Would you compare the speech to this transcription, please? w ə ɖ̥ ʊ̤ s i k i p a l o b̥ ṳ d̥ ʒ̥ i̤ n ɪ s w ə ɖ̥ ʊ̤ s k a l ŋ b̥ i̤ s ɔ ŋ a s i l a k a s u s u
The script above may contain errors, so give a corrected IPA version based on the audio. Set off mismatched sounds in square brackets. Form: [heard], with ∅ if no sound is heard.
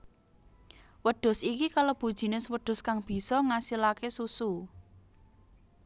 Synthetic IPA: w ə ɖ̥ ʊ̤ s i k i [k] a l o b̥ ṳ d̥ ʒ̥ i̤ n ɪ s w ə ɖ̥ ʊ̤ s k a [∅] ŋ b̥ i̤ s ɔ ŋ a s i l a k [e] s u s u